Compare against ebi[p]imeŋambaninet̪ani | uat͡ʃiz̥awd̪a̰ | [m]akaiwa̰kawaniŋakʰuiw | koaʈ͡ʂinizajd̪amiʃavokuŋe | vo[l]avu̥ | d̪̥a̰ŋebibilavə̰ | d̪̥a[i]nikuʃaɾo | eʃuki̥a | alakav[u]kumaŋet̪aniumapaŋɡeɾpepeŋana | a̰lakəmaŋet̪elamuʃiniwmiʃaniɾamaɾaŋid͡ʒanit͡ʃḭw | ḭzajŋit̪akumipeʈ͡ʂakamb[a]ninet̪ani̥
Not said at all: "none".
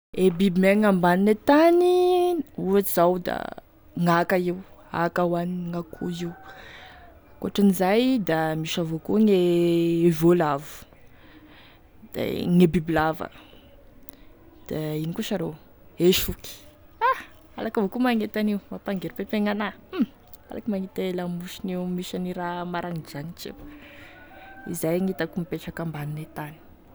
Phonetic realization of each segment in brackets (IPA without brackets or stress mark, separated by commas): b, ŋ, l, i, o, a